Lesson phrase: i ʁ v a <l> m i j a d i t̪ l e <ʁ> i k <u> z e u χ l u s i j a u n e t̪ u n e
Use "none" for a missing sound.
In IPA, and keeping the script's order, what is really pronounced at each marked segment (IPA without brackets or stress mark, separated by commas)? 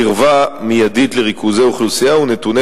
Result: none, ʁ, u